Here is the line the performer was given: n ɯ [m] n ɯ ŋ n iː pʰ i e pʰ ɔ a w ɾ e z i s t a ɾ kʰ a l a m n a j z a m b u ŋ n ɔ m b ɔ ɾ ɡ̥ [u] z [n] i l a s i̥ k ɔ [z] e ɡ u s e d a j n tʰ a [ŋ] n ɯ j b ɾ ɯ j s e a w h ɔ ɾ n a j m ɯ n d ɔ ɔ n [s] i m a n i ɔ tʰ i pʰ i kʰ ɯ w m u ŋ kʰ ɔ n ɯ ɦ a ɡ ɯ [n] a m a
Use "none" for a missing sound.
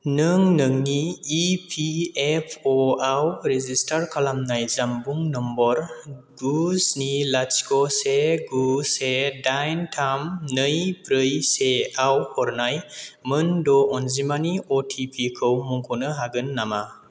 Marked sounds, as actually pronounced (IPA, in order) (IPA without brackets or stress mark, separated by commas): ŋ, u, n, s, m, z, nː